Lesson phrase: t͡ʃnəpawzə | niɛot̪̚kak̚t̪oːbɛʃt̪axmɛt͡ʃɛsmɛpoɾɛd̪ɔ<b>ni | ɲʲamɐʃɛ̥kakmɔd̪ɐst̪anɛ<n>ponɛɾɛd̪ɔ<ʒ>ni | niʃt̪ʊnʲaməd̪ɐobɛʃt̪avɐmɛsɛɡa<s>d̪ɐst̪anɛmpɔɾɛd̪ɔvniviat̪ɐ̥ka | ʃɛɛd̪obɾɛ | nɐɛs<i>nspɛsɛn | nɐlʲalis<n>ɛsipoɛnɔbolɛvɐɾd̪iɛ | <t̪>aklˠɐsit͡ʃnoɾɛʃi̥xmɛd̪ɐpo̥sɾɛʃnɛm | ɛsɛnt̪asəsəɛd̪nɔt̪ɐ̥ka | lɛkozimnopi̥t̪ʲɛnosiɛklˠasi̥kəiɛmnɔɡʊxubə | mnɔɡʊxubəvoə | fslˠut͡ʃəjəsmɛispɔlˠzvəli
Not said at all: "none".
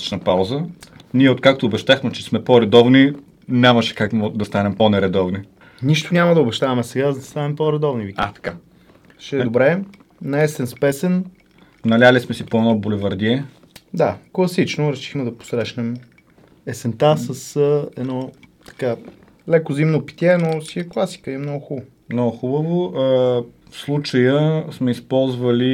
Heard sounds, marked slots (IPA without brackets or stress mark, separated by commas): v, m, v, z, ɛ, m, d̪